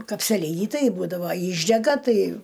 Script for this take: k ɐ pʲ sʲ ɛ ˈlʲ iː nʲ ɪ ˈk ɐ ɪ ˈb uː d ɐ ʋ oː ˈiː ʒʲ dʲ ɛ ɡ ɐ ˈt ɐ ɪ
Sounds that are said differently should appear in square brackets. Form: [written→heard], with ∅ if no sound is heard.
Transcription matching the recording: k ɐ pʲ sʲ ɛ ˈlʲ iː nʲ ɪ [ˈk→ˈt] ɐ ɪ ˈb uː d ɐ ʋ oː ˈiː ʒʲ dʲ ɛ ɡ ɐ ˈt ɐ ɪ